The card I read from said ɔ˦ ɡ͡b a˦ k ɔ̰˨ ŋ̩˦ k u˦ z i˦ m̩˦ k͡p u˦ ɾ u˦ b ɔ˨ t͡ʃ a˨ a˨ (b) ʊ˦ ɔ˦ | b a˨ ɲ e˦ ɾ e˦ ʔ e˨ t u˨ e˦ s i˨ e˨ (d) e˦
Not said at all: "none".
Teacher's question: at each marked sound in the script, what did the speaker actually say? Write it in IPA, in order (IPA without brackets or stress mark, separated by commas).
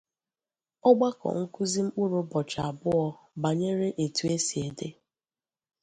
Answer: b, d